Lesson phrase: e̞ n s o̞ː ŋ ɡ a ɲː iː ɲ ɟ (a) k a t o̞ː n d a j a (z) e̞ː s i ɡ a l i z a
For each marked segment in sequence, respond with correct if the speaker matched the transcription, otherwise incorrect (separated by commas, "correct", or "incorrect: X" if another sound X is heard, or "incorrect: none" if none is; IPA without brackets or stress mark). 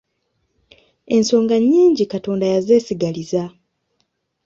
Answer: incorrect: i, correct